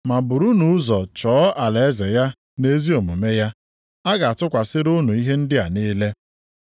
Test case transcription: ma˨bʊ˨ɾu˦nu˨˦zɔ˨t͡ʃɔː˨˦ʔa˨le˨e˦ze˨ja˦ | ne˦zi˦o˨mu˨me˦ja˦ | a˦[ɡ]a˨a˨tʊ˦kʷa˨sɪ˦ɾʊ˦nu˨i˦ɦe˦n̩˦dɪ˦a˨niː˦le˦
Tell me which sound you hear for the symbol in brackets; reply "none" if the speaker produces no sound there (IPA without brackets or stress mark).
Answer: ɡ